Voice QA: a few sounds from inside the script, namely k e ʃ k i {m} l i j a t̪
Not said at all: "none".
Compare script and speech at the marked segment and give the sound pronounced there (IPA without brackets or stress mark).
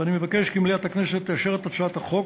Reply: m